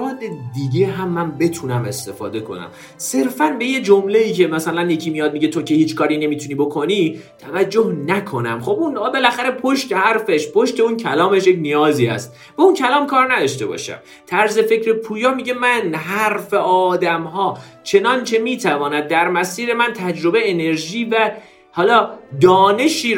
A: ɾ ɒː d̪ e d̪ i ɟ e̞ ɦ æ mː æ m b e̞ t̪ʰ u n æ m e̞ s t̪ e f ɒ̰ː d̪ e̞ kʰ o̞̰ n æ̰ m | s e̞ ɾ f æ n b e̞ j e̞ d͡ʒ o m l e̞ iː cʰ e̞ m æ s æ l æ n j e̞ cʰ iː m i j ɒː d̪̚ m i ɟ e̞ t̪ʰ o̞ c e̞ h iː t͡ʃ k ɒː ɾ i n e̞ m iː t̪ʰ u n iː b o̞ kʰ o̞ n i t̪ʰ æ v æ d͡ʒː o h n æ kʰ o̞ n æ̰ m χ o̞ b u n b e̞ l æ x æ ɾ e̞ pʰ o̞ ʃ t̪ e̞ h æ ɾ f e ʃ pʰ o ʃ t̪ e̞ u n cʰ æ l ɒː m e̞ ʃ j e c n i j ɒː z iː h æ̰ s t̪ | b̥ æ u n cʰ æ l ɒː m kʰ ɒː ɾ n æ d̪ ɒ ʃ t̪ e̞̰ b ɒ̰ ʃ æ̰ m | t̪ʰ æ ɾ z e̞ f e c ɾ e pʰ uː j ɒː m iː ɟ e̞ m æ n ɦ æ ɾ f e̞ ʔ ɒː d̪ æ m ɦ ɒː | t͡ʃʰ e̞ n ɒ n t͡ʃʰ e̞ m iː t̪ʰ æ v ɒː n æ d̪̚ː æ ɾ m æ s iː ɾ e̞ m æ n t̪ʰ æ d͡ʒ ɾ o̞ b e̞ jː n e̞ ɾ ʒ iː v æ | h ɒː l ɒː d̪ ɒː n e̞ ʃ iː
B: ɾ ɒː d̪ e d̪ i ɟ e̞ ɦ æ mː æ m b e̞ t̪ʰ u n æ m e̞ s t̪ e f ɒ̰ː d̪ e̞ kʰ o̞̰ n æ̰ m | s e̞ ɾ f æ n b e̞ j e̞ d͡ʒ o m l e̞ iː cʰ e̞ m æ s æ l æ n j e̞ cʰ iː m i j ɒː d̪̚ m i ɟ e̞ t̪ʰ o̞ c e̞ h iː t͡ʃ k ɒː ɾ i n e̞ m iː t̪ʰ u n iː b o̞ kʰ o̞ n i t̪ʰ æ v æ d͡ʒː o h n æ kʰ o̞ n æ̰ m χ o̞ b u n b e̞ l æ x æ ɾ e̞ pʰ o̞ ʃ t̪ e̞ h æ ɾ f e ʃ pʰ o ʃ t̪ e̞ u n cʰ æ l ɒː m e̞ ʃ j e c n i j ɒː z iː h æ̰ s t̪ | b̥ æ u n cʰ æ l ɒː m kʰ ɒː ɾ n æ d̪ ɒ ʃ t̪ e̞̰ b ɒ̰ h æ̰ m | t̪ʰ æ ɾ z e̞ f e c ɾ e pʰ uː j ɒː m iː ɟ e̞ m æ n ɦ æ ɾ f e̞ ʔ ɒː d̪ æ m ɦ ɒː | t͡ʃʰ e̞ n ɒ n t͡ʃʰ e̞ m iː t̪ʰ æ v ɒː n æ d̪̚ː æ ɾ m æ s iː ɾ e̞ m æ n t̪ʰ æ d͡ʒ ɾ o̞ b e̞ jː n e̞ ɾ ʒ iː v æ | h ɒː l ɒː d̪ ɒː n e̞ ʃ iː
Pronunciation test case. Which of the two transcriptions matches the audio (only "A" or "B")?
A